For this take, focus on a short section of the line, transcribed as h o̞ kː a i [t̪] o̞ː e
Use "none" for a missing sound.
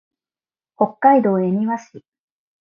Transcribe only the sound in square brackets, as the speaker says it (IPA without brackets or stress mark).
d̪